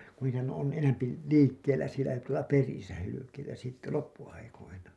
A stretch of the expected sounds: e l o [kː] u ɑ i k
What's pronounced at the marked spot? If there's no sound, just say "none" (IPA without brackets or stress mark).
pː